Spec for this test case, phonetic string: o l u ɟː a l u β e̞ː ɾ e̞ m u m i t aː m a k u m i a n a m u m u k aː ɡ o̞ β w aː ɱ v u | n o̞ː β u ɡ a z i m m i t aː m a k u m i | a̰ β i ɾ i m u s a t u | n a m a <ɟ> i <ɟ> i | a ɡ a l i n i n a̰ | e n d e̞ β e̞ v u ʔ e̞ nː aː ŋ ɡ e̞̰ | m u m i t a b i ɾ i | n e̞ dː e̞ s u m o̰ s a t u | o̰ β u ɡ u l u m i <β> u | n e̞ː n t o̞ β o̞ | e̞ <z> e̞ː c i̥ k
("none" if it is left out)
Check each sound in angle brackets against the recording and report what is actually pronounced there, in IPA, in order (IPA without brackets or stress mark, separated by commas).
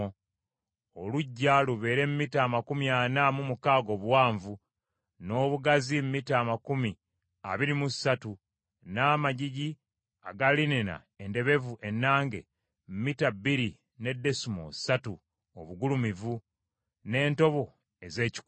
ɟ, ɟ, v, z